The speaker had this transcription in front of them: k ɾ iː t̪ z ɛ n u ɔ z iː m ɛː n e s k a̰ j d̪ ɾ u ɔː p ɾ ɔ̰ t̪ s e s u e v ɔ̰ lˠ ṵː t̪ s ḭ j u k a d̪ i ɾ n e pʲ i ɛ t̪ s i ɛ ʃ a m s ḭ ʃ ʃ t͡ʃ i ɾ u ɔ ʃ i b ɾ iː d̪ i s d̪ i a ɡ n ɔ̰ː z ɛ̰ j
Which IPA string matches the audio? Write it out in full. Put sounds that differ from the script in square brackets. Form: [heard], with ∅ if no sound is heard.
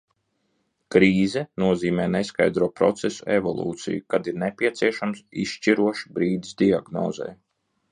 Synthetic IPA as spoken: k ɾ iː [∅] z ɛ n u ɔ z iː m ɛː n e s k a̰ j d̪ ɾ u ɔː p ɾ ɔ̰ t̪ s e s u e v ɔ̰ lˠ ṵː t̪ s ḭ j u k a d̪ i ɾ n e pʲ i ɛ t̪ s i ɛ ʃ a m s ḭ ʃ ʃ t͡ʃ i ɾ u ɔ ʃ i b ɾ iː d̪ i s d̪ i a ɡ n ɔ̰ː z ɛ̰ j

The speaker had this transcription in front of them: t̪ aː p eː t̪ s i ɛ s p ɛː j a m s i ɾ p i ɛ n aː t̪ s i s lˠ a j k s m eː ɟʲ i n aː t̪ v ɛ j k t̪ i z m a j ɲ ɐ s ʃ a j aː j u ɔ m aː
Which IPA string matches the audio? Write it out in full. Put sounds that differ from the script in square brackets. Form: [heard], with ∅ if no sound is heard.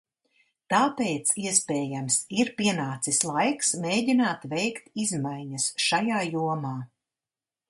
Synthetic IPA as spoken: t̪ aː p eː t̪ s i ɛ s p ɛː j a m s i ɾ p i ɛ n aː t̪ s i s lˠ a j k s m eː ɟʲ i n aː t̪ v ɛ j k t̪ i z m a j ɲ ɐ s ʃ a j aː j u ɔ m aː

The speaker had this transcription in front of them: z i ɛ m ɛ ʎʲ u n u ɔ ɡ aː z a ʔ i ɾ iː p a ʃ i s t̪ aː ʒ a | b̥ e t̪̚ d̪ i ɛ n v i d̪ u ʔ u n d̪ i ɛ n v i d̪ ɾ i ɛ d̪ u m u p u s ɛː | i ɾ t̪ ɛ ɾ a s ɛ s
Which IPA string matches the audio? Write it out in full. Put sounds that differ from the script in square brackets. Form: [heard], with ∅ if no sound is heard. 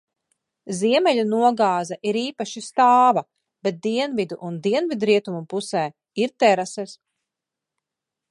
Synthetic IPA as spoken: z i ɛ m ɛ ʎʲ u n u ɔ ɡ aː z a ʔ i ɾ iː p a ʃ i s t̪ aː [v] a | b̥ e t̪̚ d̪ i ɛ n v i d̪ u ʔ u n d̪ i ɛ n v i d̪ ɾ i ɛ [t̪] u m u p u s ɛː | i ɾ t̪ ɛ ɾ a s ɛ s

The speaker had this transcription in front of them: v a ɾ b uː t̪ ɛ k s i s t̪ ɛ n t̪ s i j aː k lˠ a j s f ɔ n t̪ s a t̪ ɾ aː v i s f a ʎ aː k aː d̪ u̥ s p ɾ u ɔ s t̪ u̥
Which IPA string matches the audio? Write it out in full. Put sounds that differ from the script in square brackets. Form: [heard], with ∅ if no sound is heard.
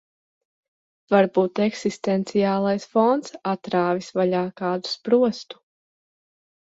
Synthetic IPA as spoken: v a ɾ b uː t̪ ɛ k s i s t̪ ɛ n t̪ s i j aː [∅] lˠ a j s f ɔ n t̪ s a t̪ ɾ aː v i s [v] a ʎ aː k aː d̪ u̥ s p ɾ u ɔ s t̪ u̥

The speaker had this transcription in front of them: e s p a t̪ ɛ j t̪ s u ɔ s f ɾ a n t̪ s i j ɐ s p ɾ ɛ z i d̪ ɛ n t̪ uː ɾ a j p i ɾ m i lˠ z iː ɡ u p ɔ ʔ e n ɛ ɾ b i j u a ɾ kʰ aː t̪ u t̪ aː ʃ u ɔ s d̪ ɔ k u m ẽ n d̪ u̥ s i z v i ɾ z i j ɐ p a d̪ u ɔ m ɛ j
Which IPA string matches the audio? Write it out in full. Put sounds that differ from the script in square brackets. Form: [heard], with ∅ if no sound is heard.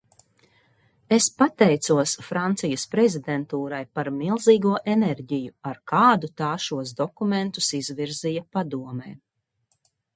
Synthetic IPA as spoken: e s p a t̪ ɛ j t̪ s u ɔ s f ɾ a n t̪ s i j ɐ s p ɾ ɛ z i d̪ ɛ n t̪ uː ɾ a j p [a] ɾ m i lˠ z iː ɡ u [∅] ɔ ʔ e n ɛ ɾ [ɟ] i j u a ɾ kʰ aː [d̪] u t̪ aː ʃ u ɔ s d̪ ɔ k u m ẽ n [t̪] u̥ s i z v i ɾ z i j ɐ p a d̪ u ɔ m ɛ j

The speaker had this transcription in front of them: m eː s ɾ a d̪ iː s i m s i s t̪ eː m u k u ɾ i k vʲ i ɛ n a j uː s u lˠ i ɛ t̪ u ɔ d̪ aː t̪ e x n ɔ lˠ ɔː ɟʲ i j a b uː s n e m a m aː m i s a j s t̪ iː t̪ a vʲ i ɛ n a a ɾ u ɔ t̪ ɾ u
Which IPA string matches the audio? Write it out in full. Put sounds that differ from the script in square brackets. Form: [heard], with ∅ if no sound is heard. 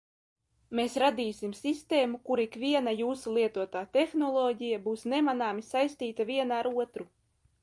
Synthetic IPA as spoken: m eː s ɾ a d̪ iː s i m s i s t̪ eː m u k u ɾ i k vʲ i ɛ n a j uː s u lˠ i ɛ t̪ u ɔ [t̪] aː t̪ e x n ɔ lˠ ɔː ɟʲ i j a b uː s n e m a [n] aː m i s a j s t̪ iː t̪ a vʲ i ɛ n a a ɾ u ɔ t̪ ɾ u

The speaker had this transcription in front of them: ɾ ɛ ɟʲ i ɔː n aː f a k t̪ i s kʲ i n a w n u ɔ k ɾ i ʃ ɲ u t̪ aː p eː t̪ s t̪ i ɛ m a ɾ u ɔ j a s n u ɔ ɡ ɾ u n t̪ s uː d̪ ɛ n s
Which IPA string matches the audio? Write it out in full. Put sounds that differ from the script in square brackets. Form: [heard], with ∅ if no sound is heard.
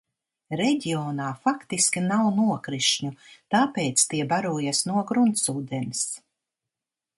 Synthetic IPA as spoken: ɾ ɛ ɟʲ i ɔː n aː f a k t̪ i s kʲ i n a w n u ɔ k ɾ i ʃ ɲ u t̪ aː p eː t̪ s t̪ i ɛ [b] a ɾ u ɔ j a s n u ɔ ɡ ɾ u n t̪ s uː d̪ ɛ n s

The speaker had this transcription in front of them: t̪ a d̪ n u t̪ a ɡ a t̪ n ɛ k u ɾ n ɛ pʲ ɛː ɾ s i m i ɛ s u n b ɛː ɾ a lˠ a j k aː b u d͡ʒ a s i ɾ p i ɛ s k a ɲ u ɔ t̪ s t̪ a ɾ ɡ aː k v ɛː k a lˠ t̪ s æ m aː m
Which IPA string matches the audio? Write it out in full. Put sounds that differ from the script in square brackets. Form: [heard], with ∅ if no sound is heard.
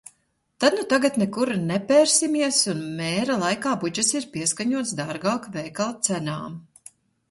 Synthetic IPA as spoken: t̪ a d̪ n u t̪ a ɡ a t̪ n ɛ k u ɾ n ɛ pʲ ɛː ɾ s i m i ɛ s u n [m] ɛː ɾ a lˠ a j k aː b u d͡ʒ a s i ɾ p i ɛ s k a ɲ u ɔ t̪ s [d̪] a ɾ ɡ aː k v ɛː k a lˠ t̪ s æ [n] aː m

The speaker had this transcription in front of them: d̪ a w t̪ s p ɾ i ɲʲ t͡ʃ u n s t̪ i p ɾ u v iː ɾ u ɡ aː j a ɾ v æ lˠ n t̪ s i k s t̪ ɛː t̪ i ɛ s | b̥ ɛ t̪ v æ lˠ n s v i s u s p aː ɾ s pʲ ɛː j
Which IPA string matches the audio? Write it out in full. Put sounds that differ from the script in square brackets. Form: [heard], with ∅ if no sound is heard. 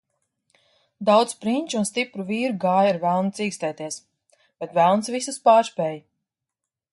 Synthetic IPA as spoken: d̪ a w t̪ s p ɾ i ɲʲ t͡ʃ u n s t̪ i p ɾ u v iː ɾ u ɡ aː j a ɾ v æ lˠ n t̪ s [iː] k s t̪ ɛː t̪ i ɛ s | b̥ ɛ t̪ v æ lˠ n s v i s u s p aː ɾ s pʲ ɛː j

